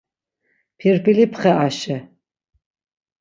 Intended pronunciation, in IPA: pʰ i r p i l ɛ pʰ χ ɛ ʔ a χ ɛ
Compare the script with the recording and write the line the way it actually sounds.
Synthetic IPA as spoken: pʰ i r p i l i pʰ χ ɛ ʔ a ʃ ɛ